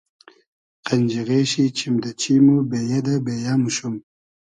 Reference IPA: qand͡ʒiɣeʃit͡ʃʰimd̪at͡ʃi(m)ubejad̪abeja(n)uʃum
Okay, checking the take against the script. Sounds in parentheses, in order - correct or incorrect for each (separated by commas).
correct, incorrect